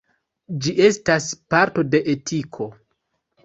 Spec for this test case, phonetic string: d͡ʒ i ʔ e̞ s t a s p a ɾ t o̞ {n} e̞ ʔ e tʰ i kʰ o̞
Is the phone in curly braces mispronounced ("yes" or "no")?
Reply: yes